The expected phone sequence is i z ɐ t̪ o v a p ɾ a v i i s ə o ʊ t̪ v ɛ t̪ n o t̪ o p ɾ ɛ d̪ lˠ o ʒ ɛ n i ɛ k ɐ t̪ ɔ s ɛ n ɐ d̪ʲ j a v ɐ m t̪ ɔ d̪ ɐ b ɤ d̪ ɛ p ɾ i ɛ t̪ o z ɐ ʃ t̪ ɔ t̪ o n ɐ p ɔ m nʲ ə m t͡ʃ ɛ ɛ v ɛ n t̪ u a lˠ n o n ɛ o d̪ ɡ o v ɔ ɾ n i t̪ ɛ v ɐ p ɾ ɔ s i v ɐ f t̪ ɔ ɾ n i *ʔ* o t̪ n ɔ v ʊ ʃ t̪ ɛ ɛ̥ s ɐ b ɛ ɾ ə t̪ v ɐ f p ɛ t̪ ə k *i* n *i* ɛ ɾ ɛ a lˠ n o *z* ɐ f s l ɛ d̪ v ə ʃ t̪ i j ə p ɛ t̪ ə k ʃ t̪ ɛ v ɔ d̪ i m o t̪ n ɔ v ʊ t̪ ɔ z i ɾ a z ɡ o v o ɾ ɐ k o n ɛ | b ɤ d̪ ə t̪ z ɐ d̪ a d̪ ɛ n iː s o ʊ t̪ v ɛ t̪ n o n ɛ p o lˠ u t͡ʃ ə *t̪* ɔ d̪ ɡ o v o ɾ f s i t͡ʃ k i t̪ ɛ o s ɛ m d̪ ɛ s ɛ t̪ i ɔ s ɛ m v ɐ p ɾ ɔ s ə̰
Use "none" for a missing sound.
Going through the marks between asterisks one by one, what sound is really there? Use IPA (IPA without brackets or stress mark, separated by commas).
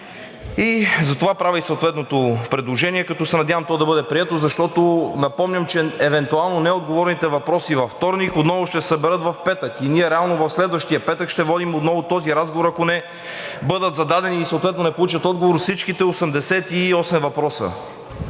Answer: k, i, i, v, t̪